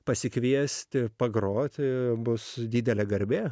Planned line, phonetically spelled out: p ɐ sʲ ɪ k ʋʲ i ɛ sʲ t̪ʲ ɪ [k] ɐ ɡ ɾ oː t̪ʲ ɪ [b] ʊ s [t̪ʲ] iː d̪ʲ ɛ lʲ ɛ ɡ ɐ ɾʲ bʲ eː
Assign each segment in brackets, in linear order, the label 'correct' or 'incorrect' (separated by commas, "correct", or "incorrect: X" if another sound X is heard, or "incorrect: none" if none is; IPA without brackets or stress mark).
incorrect: p, correct, incorrect: d̪ʲ